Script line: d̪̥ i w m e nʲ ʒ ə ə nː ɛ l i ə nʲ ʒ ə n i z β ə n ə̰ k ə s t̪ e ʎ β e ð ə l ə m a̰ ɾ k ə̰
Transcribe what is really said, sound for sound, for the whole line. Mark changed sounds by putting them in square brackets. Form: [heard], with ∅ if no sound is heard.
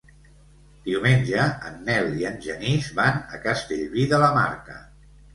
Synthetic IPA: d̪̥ i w m e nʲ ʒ ə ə nː ɛ l i ə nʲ ʒ ə n i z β [a] n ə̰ k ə s t̪ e ʎ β [i] ð ə l ə m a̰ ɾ k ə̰